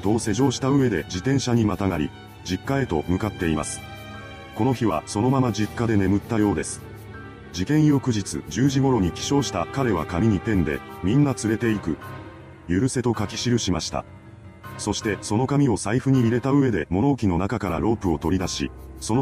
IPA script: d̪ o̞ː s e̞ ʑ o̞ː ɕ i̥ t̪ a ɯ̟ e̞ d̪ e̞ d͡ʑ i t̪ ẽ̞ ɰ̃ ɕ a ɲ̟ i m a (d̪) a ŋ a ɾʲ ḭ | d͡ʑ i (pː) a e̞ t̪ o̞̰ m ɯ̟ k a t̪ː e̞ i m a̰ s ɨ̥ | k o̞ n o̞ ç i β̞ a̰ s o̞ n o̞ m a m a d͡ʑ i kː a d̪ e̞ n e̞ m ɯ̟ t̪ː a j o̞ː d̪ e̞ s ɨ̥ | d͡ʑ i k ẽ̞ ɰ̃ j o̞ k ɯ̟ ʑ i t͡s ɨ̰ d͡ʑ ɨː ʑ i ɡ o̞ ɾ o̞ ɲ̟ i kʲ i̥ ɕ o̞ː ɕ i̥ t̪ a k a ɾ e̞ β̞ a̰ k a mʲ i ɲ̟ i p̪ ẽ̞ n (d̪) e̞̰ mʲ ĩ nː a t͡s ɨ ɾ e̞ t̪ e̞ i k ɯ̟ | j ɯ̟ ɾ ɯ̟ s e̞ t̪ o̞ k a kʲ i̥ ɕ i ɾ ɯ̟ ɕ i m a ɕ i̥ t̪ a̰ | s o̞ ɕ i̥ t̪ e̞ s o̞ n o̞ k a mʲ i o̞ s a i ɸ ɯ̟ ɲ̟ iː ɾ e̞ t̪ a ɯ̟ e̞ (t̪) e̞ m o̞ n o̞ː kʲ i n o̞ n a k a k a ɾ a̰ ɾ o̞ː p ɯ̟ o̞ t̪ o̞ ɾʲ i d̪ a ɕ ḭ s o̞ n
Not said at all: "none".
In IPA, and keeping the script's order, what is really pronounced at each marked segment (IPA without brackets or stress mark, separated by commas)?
t̪, kː, d̪, d̪